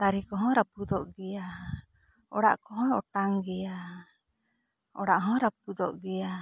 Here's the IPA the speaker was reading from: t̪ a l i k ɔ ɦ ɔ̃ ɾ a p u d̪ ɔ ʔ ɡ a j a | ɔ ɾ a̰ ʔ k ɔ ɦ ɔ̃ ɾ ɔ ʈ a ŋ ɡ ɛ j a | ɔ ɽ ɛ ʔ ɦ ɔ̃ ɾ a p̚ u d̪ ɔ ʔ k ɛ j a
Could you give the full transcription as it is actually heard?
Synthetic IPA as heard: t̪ a ɾ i k ɔ ɦ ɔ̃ ɾ a p u d̪ ɔ ʔ ɡ ɛ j a | ɔ ɽ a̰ ʔ k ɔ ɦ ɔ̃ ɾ ɔ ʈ a ŋ ɡ ɛ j a | ɔ ɽ a ʔ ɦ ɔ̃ ɾ a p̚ u d̪ ɔ ʔ ɡ ɛ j a